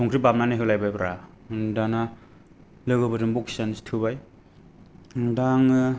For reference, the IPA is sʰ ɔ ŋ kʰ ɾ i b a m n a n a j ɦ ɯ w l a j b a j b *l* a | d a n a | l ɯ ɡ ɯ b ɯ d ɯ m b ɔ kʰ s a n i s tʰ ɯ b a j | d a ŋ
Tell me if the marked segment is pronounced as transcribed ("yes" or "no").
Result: no